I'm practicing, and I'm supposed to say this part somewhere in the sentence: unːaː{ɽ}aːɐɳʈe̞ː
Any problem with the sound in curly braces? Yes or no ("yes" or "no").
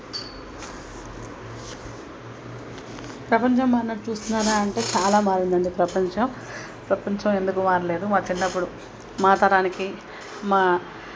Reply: yes